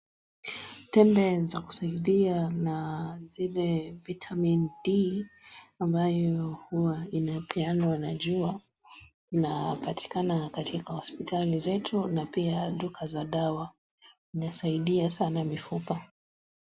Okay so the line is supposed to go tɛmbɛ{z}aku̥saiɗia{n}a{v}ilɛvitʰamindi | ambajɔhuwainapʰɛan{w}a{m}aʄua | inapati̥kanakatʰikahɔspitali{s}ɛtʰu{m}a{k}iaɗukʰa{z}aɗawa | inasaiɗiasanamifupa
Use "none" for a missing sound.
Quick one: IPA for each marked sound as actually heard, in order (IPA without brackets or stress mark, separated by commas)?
z, n, z, w, n, z, n, p, z